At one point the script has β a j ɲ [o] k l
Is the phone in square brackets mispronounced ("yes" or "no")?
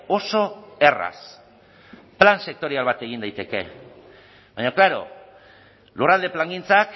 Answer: no